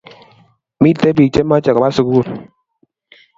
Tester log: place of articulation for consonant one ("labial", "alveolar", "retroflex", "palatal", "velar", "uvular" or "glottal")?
labial